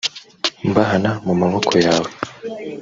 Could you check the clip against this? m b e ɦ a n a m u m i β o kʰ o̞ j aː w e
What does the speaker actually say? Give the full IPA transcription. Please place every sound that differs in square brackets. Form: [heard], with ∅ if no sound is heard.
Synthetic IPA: m b [a] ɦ a n a m u m [a] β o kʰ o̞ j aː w e